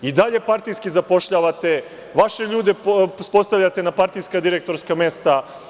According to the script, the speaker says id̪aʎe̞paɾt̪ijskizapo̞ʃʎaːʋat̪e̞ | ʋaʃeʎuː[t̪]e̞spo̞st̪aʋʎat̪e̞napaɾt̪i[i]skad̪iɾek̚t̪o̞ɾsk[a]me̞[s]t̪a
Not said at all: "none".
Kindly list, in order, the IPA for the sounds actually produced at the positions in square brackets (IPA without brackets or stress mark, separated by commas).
d̪, j, a, s